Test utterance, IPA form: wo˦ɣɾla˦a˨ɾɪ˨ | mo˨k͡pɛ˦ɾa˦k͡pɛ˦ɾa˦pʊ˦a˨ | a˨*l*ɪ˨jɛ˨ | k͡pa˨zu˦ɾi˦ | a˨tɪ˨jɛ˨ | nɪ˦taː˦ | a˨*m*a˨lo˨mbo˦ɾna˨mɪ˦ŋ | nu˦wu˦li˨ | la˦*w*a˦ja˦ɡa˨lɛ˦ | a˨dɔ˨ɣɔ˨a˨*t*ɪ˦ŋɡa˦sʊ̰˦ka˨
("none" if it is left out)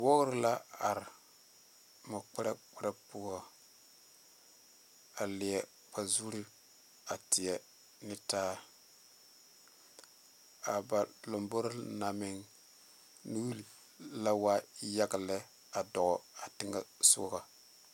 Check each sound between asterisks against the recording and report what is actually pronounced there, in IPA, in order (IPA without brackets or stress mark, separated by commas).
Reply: l, b, w, t